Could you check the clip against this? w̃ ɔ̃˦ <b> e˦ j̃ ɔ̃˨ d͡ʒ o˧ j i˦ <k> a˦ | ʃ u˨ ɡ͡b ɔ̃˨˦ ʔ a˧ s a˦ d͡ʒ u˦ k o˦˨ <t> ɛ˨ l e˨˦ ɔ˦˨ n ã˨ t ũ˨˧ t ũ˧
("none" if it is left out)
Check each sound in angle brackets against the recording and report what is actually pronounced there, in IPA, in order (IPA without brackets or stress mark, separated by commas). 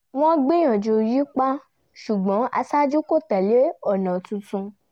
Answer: ɡ͡b, k͡p, t